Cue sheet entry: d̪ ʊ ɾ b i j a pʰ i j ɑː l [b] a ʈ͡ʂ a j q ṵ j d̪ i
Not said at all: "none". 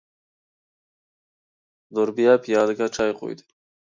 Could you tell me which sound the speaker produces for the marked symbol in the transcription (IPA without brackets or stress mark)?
ɡ